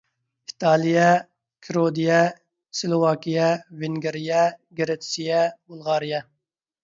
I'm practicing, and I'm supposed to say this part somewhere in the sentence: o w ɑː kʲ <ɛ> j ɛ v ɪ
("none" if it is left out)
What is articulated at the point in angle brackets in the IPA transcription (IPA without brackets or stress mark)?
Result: i